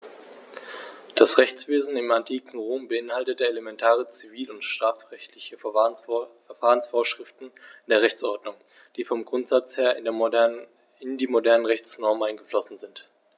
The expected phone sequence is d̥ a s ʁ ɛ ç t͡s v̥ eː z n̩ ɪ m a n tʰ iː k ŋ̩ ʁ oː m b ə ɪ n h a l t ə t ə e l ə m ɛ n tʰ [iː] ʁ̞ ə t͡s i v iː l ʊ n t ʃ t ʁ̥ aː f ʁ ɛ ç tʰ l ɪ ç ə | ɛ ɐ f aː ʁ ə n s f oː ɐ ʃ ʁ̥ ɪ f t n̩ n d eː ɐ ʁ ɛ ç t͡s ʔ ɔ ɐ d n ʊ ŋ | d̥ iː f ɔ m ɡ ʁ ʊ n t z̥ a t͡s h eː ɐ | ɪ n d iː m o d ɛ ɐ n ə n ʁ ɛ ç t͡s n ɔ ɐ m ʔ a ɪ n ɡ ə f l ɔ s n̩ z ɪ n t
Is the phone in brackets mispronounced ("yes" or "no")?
yes